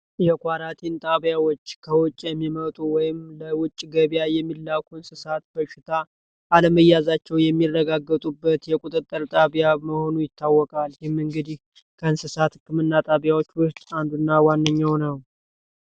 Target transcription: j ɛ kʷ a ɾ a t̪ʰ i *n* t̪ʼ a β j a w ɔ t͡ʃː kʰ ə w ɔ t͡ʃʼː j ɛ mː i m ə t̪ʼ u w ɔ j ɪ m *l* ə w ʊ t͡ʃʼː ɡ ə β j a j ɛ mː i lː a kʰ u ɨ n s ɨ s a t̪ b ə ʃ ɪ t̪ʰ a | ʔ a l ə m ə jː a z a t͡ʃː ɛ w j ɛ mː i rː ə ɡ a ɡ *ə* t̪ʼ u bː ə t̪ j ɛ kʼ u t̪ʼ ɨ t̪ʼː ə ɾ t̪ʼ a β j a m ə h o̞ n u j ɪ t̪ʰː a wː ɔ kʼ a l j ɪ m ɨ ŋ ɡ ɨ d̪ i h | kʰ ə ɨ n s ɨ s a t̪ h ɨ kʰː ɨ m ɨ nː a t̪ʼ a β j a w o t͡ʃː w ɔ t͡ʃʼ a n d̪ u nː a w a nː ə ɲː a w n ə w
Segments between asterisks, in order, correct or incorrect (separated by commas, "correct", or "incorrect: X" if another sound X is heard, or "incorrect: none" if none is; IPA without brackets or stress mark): correct, correct, correct